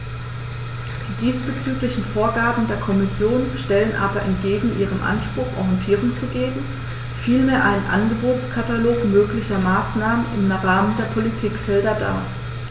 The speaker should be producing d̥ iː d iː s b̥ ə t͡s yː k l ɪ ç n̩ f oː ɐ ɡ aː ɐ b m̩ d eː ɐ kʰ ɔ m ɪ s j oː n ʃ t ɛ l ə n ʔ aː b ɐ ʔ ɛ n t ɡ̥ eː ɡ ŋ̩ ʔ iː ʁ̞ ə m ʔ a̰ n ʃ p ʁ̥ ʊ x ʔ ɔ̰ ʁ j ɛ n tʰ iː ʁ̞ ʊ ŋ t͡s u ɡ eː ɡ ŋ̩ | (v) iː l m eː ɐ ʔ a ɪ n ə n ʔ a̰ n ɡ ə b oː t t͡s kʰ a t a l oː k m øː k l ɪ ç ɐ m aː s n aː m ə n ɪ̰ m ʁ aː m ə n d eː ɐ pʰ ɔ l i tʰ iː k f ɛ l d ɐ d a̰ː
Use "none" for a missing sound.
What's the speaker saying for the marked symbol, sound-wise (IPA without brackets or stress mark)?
f